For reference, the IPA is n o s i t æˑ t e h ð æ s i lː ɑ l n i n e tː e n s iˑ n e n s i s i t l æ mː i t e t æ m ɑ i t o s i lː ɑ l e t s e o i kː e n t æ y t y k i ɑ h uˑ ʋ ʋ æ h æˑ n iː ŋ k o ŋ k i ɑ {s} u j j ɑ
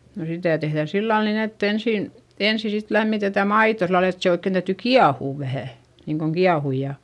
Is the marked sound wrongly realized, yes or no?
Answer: yes